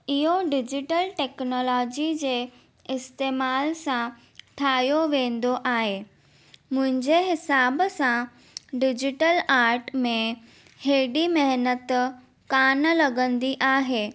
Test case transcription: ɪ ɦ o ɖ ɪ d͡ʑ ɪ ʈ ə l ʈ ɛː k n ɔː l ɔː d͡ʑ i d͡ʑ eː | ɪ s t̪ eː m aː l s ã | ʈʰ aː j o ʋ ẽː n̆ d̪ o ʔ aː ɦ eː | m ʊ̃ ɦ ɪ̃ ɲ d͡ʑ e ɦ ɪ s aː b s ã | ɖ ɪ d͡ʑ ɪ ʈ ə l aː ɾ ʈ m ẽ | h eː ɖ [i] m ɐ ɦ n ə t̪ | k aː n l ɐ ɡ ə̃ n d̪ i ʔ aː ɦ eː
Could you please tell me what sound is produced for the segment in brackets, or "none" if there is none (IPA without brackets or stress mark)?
i